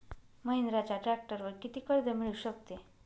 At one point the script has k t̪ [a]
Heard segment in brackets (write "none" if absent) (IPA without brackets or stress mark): e